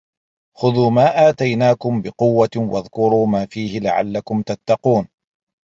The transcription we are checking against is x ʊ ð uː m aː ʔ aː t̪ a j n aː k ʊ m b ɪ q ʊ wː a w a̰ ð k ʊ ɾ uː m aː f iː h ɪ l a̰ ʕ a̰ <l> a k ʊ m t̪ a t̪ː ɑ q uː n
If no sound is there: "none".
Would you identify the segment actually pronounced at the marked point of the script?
lː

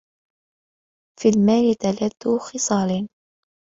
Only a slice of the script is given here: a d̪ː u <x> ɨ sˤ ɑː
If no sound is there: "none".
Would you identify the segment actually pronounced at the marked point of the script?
x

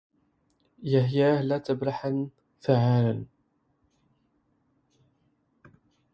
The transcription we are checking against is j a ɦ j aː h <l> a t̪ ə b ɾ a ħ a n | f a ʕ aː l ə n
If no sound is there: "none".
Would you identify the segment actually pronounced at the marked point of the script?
l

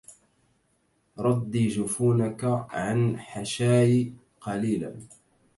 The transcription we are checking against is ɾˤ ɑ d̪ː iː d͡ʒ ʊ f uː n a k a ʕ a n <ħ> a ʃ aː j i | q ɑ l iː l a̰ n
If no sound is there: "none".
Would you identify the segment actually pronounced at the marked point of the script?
ħ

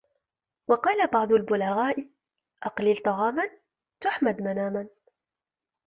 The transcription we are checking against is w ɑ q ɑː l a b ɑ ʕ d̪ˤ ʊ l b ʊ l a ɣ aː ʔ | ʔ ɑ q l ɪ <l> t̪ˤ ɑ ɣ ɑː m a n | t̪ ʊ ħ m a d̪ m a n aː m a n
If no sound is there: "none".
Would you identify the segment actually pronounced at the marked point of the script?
l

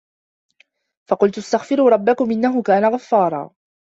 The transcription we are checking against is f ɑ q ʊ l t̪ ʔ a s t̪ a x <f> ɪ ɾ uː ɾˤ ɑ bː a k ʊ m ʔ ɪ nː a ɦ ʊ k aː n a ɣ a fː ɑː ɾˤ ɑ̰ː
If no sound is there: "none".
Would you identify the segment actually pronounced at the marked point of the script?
f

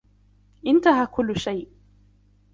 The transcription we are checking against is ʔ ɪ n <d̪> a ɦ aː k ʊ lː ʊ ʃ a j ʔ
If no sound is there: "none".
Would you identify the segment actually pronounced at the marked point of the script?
t̪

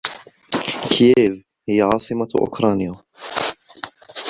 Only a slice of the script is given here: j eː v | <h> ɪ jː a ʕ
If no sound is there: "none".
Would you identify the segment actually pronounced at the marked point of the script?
h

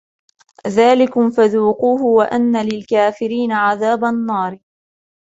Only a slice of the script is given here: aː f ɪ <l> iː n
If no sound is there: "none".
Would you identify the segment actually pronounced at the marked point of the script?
ɾ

